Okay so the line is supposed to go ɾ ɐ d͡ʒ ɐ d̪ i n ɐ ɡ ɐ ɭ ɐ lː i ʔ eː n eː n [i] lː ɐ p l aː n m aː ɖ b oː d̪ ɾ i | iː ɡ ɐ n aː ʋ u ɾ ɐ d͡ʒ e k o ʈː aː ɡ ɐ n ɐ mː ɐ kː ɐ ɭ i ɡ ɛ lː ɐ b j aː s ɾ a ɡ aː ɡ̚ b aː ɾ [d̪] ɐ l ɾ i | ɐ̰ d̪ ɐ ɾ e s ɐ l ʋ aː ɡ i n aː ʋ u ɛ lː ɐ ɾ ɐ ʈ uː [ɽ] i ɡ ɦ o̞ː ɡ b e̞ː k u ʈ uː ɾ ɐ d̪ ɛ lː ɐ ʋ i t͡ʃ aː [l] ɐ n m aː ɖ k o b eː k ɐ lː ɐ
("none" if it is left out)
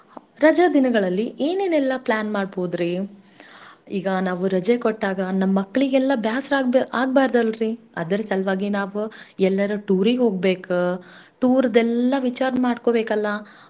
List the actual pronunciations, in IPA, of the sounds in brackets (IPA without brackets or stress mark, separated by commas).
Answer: ɛ, d̪, ɾ, ɾ